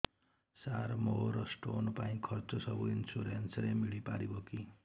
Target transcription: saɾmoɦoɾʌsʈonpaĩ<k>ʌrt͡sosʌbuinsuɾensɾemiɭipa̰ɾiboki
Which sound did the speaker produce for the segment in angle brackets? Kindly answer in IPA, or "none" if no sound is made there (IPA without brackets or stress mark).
kʰ